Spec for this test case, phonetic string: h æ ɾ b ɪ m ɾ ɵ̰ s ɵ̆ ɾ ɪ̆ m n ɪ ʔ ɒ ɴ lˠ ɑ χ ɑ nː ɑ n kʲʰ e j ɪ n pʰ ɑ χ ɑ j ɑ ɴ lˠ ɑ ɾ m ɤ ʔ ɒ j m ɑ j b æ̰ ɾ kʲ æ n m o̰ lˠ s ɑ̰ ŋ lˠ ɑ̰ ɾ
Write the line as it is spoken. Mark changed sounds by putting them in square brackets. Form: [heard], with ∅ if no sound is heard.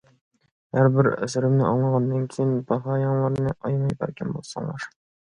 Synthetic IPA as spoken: h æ ɾ b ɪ [∅] ɾ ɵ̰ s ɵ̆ ɾ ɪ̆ m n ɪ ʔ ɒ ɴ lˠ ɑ [ʁ] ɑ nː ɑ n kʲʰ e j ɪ n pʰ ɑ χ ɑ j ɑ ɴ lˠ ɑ ɾ [n] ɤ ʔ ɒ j m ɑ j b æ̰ ɾ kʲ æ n [b] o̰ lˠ s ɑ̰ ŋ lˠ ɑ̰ ɾ